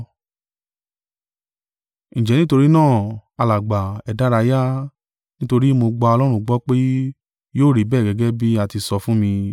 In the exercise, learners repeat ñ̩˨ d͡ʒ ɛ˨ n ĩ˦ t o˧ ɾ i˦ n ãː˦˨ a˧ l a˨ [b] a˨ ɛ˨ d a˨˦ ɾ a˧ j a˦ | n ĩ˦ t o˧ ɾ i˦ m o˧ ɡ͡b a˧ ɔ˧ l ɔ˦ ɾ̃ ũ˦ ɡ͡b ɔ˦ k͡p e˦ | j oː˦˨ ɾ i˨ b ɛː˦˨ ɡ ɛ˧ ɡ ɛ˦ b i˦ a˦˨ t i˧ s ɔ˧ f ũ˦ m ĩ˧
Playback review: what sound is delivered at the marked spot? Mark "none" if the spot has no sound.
ɡ͡b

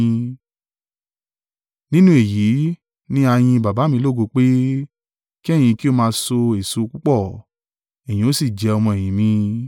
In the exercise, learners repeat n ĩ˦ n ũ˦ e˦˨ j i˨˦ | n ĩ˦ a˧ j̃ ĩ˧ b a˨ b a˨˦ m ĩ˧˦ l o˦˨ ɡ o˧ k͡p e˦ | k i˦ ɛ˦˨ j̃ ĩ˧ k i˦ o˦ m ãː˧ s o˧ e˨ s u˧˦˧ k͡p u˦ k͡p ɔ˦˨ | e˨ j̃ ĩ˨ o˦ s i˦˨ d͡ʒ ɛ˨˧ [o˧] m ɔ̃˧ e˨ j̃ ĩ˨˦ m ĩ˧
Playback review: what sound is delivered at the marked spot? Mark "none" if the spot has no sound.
ɔ˧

